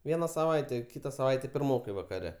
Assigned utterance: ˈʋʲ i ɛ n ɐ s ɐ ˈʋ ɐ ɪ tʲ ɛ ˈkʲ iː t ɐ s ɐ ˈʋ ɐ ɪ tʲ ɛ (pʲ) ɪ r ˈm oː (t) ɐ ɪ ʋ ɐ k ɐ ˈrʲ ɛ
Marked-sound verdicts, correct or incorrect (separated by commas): correct, incorrect